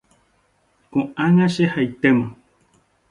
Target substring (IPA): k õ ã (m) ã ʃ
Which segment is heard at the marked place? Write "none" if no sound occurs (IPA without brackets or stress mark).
ŋ